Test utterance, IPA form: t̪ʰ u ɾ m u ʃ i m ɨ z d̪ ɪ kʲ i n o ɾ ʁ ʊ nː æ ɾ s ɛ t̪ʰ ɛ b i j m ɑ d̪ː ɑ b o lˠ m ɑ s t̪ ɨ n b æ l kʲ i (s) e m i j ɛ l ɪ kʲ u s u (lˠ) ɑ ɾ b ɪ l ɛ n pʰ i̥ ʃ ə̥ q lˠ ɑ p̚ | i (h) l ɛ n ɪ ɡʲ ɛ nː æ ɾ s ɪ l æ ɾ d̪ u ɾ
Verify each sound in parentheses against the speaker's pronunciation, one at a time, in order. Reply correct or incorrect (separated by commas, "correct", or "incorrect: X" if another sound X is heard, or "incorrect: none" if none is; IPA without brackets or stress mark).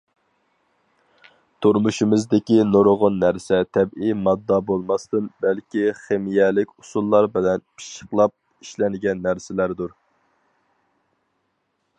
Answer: incorrect: χ, incorrect: lˠː, incorrect: ʃ